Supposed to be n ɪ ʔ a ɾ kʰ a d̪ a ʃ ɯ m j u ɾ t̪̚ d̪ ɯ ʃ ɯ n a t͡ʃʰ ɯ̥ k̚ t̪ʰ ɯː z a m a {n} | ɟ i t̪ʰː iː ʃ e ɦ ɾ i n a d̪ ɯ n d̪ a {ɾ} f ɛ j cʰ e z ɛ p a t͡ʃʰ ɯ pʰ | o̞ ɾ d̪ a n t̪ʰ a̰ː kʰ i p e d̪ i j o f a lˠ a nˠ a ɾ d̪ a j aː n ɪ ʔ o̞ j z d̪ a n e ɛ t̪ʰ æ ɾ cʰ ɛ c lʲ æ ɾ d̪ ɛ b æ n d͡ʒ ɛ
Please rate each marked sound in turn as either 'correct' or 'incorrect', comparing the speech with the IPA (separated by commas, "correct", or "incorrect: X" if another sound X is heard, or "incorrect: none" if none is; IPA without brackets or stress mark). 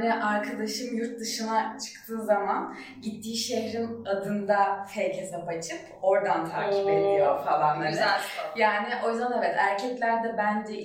correct, incorrect: none